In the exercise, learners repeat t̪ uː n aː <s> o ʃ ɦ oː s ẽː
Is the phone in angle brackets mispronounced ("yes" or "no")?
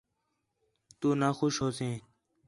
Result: yes